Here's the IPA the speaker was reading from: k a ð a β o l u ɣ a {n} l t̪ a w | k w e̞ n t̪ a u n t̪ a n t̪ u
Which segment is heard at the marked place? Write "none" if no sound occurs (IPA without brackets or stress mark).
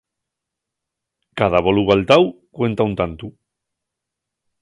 none